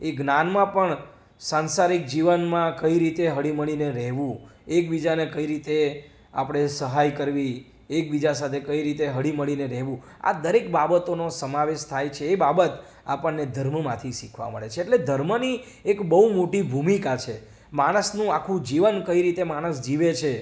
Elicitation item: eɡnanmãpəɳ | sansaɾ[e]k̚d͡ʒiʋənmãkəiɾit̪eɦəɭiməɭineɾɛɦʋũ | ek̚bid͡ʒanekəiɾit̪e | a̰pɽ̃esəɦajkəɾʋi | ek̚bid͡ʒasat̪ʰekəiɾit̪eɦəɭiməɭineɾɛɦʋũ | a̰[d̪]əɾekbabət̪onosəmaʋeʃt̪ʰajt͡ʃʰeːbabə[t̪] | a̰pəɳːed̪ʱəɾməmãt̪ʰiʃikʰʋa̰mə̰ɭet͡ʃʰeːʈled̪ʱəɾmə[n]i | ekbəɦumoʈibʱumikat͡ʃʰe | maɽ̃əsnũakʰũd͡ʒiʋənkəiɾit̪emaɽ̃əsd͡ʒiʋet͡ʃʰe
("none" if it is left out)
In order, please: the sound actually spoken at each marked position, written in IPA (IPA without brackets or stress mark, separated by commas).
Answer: i, d̪, t̪, n